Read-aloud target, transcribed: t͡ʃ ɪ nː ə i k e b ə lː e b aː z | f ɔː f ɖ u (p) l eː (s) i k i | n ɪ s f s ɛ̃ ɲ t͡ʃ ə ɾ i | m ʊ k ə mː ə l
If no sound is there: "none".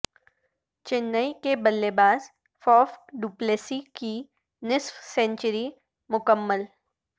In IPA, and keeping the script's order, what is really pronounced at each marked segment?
p, s

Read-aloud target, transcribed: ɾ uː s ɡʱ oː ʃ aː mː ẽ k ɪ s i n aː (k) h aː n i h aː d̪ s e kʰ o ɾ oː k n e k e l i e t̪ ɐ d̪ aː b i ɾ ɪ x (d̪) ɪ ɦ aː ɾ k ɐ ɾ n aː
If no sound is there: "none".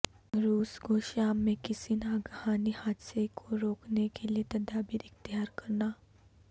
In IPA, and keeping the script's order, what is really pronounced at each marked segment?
ɡ, t̪

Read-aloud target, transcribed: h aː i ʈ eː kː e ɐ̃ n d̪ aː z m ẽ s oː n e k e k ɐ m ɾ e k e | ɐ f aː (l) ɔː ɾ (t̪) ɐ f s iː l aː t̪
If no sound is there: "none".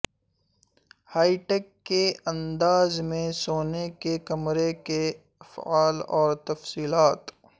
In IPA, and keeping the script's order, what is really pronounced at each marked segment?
l, t̪

